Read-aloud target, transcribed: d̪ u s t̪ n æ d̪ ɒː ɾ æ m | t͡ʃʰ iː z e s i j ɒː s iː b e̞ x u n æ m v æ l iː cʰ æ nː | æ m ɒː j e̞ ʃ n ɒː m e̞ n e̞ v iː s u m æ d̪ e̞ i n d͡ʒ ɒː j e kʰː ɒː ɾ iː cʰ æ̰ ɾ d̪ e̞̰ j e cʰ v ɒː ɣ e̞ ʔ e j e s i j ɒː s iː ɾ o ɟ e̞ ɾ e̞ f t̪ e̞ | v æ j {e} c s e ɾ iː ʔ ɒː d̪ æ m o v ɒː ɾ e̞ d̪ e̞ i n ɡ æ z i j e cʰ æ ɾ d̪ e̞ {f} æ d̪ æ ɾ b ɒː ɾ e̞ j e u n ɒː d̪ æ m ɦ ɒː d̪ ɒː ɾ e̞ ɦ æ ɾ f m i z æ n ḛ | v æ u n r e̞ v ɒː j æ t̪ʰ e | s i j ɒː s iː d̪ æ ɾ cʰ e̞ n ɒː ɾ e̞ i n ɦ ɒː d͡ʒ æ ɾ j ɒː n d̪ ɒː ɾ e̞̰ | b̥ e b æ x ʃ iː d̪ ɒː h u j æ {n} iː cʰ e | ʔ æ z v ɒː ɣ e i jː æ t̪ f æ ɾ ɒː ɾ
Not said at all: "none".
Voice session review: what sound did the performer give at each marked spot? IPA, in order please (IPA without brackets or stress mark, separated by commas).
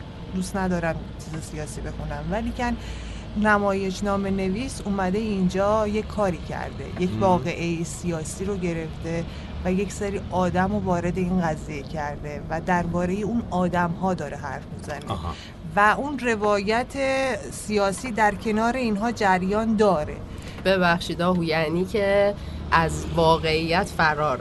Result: e, v, n